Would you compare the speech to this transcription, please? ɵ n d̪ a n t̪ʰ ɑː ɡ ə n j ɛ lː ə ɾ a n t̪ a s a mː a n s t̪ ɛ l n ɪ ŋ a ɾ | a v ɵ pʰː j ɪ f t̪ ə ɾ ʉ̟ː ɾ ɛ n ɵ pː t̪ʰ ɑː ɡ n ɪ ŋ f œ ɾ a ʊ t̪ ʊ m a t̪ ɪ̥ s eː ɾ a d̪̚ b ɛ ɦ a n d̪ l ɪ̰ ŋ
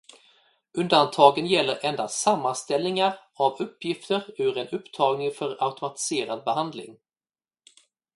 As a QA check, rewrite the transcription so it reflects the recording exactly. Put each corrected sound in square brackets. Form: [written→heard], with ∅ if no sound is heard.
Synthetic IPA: ɵ n d̪ a n t̪ʰ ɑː ɡ ə n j ɛ lː ə ɾ [a→ɛ] n [t̪→d̪] a s a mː a n s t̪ ɛ l n ɪ ŋ a ɾ | a v ɵ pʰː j ɪ f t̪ ə ɾ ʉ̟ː ɾ ɛ n ɵ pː t̪ʰ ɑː ɡ n ɪ ŋ f œ ɾ a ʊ t̪ ʊ m a t̪ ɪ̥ s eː ɾ a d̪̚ b ɛ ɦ a n d̪ l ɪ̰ ŋ